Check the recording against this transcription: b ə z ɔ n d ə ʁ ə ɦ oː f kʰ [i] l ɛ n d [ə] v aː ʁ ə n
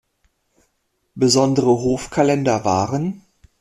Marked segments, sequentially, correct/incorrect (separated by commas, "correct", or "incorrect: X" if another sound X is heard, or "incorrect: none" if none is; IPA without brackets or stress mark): incorrect: a, incorrect: ɐ